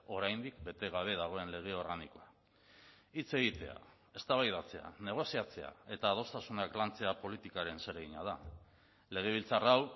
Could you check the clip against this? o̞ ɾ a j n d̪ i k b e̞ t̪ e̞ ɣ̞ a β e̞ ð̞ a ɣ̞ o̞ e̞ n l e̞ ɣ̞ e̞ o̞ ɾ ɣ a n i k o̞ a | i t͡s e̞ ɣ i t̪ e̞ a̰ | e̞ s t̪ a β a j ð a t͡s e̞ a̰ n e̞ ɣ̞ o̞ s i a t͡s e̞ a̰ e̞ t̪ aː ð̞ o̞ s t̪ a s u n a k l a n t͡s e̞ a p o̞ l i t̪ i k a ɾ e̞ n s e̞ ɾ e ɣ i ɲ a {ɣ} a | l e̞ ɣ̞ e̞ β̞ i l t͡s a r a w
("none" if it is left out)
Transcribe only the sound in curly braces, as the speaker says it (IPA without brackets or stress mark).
ð